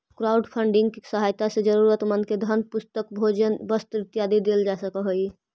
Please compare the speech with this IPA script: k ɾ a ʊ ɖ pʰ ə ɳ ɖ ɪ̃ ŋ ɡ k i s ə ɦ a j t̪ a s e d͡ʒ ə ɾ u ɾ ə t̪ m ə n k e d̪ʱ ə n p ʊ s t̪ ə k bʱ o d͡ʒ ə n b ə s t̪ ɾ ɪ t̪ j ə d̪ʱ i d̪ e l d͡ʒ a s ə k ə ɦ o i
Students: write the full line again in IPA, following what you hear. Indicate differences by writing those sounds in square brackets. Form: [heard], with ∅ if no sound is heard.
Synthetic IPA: k ɾ a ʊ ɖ pʰ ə ɳ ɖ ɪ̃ ŋ ɡ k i s ə ɦ a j t̪ a s e d͡ʒ ə ɾ u ɾ ə t̪ m ə n k e d̪ʱ ə n p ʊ s t̪ ə k bʱ o d͡ʒ ə n b ə s t̪ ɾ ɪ t̪ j [a] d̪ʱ i d̪ e l d͡ʒ a s ə k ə ɦ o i